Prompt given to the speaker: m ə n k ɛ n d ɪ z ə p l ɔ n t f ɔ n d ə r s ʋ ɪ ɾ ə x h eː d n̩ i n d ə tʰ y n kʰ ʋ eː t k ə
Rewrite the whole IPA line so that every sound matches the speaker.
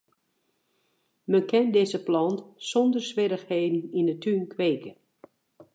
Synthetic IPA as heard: m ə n k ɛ n d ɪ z ə p l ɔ n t s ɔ n d ə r s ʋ ɪ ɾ ə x h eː d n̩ i n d ə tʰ y n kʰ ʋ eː k ə